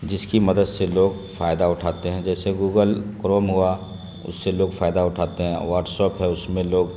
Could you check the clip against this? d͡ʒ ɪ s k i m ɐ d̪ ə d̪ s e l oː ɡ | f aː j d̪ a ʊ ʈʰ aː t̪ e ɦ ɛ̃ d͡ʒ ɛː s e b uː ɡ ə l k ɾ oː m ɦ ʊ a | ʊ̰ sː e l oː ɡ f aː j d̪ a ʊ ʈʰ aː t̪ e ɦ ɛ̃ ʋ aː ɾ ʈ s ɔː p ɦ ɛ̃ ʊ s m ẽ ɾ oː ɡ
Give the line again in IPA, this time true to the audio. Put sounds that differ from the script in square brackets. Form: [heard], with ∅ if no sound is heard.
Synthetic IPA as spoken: d͡ʒ ɪ s k i m ɐ d̪ ə d̪ s e l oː ɡ | f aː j d̪ a ʊ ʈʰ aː t̪ e ɦ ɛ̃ d͡ʒ ɛː s e [ɡ] uː ɡ ə l k ɾ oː m ɦ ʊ a | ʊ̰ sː e l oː ɡ f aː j d̪ a ʊ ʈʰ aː t̪ e ɦ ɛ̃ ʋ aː ɾ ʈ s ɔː p ɦ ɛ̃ ʊ s m ẽ [l] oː ɡ